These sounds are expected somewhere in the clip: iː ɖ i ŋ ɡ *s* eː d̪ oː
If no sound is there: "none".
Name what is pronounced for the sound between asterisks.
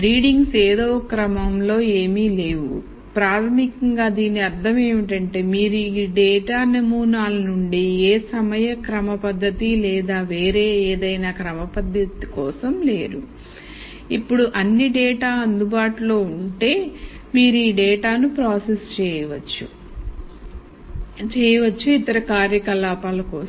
s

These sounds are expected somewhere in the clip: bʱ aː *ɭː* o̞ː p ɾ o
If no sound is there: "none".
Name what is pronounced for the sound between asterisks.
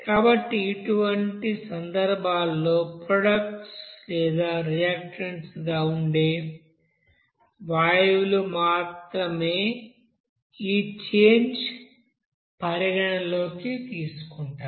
lː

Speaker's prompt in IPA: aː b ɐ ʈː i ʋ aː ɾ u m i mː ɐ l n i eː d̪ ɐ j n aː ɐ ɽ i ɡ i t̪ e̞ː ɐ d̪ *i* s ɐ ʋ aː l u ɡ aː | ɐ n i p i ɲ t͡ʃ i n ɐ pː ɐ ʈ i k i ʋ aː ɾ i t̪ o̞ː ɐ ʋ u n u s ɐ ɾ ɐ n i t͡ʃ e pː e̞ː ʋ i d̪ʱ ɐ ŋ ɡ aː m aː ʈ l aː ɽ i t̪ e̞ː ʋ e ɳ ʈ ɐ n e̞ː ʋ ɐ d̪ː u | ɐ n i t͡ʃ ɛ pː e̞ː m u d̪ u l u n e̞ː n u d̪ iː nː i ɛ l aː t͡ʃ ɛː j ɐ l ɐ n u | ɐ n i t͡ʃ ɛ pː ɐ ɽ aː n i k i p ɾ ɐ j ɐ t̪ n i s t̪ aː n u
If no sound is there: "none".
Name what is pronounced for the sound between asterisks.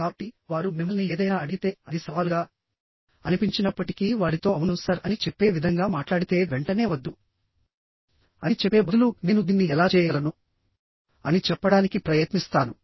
i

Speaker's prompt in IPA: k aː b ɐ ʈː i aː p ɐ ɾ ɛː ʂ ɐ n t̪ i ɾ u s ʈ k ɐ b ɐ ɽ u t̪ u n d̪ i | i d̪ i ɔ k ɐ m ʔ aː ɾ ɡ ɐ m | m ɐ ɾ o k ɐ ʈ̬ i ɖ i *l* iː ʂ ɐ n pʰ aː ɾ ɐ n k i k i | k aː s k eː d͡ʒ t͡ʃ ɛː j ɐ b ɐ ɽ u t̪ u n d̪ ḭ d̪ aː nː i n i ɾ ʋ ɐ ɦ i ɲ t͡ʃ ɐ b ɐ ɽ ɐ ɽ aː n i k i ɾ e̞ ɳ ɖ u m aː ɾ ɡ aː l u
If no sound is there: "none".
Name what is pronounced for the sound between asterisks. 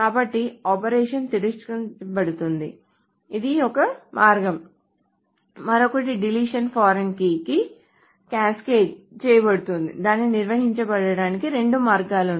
l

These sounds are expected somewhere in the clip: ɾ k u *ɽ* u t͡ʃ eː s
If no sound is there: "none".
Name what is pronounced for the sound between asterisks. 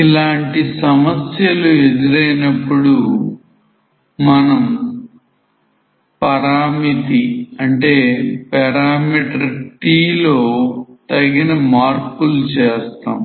l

